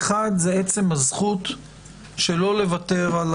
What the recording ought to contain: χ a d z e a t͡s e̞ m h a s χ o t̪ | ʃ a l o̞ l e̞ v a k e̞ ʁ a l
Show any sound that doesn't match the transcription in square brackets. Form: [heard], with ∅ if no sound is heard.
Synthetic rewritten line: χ a d z e [e] t͡s e̞ m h a [z] χ [u] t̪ | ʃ [e] l o̞ l e̞ v a [t] e̞ ʁ a l